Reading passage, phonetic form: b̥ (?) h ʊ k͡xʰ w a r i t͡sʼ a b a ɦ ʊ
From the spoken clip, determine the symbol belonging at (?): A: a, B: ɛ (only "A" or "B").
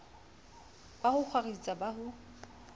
A